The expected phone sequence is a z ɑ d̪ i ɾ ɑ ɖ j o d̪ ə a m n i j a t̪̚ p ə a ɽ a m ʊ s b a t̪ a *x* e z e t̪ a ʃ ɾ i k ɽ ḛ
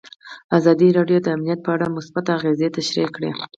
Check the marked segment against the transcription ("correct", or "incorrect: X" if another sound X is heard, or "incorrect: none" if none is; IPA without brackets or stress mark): incorrect: ɣ